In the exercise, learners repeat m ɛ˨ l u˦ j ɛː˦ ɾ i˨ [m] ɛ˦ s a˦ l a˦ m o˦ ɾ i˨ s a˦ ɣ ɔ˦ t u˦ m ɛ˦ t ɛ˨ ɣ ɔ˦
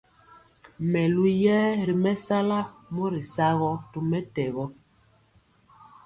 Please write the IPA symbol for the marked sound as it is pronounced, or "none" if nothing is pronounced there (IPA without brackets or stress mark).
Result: m